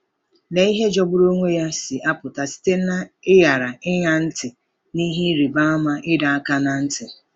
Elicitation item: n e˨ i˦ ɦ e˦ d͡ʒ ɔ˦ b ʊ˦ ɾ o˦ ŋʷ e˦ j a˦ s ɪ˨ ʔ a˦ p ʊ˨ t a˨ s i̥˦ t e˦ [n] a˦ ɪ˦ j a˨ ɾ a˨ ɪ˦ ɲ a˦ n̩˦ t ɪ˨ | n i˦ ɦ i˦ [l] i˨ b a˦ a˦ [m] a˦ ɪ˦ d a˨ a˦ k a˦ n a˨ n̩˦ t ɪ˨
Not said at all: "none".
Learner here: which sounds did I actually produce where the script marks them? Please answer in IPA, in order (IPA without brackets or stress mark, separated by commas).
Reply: n, ɾ, m